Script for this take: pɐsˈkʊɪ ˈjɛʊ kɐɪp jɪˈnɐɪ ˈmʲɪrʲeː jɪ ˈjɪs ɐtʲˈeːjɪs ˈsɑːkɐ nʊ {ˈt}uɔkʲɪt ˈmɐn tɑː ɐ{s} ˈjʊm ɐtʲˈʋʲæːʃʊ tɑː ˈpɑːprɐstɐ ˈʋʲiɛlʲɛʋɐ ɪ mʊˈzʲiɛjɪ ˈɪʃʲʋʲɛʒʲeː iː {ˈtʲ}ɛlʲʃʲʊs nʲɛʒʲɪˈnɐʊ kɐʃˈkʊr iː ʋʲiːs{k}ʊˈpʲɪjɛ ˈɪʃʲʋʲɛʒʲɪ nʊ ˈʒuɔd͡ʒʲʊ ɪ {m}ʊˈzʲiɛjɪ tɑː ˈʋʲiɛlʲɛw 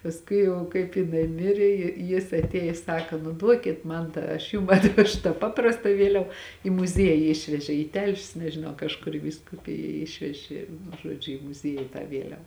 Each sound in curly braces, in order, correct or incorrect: incorrect, incorrect, correct, correct, correct

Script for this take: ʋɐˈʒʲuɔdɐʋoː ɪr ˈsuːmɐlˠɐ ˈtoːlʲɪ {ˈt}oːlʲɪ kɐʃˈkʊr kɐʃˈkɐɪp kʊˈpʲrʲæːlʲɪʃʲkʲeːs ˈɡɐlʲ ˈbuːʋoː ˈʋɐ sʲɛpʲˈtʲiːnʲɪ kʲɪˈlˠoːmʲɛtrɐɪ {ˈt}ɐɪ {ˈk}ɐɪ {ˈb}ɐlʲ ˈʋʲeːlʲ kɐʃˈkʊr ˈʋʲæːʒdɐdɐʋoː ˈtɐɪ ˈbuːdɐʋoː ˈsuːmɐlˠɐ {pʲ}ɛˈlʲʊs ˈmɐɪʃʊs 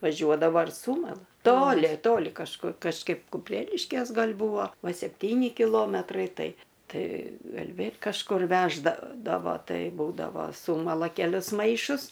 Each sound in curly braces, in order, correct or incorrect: correct, correct, incorrect, incorrect, incorrect

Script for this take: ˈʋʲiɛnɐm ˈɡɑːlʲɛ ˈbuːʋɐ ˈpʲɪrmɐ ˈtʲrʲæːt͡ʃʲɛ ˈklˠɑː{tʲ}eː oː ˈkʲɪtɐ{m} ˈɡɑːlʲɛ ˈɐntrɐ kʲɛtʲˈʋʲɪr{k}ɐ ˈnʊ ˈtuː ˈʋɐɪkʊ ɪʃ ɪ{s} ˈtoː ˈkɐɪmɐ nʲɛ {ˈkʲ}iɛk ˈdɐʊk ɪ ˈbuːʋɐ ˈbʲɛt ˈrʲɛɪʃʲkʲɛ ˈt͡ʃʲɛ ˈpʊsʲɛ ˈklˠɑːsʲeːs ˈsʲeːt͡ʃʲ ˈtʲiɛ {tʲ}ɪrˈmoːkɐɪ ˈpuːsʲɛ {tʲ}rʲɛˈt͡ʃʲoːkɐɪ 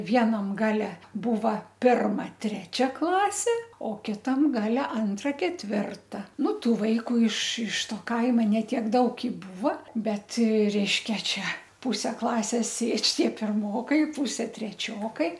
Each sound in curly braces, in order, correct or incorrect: incorrect, correct, incorrect, incorrect, incorrect, incorrect, correct

